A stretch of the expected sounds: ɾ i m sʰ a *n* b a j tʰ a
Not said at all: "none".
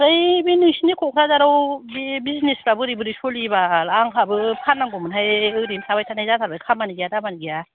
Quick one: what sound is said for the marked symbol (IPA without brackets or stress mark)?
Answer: none